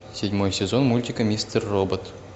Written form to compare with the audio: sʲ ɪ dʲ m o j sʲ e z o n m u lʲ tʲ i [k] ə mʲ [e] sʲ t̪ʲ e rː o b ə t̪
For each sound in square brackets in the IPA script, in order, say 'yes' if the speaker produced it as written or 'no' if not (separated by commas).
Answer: yes, no